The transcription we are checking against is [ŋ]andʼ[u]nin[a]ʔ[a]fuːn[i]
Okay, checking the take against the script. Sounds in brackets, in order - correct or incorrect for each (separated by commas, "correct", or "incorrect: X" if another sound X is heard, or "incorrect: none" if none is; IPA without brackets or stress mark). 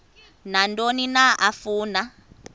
incorrect: n, incorrect: o, correct, correct, incorrect: a